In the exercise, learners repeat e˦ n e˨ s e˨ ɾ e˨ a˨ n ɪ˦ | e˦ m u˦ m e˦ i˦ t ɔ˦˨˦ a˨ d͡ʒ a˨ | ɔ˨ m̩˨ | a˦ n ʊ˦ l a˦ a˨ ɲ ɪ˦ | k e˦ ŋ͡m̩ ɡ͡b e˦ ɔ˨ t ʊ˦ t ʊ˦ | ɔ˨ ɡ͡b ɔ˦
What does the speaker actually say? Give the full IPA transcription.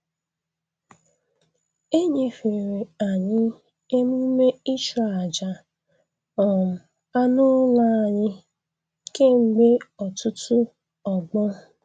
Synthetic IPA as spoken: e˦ ɲ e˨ f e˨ ɾ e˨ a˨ ɲ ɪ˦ | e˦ m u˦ m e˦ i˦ t͡ʃ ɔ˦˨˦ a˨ d͡ʒ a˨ | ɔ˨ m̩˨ | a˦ n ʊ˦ l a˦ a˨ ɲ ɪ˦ | k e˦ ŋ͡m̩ ɡ͡b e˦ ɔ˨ t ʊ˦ t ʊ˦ | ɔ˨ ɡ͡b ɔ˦